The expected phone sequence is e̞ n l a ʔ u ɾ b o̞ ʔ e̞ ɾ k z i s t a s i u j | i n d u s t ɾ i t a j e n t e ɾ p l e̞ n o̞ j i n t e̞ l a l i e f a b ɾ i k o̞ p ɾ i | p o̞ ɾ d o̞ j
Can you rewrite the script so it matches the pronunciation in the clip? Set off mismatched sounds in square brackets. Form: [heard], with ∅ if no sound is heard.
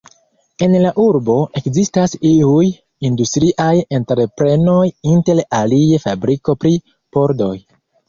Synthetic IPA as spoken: e̞ n l a ʔ u ɾ b o̞ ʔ e̞ [∅] k z i s t a s i u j | i n d u s t ɾ i [ʔ] a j e n t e ɾ p [ɾ] e̞ n o̞ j i n t e̞ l a l i e f a b ɾ i k o̞ p ɾ i | p o̞ ɾ d o̞ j